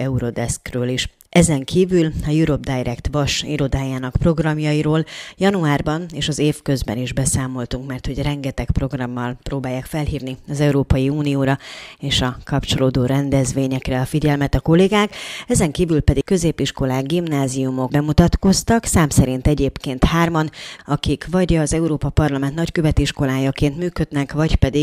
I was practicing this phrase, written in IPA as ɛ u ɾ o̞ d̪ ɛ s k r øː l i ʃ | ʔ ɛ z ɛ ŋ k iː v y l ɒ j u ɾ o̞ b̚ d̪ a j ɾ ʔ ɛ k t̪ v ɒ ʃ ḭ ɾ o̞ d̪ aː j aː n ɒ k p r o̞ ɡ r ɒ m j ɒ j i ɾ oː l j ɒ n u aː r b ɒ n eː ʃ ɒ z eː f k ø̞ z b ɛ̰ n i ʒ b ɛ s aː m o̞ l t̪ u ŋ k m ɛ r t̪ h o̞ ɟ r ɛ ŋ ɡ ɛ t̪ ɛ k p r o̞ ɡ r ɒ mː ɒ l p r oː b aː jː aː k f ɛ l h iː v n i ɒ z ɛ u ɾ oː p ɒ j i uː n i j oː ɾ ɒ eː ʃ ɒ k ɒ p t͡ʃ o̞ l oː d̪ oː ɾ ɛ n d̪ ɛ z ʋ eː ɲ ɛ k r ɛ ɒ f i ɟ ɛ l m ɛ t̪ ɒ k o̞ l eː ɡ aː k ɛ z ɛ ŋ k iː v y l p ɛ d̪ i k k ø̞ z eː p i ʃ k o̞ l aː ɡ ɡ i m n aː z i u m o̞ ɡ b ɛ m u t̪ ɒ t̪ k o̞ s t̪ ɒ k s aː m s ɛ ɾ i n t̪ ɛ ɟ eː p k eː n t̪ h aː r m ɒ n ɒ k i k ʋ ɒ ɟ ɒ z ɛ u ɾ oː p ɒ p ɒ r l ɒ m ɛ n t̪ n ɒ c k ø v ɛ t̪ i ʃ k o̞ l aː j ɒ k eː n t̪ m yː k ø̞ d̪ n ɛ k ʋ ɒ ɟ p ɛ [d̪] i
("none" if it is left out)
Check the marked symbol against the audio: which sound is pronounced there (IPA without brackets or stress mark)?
d̪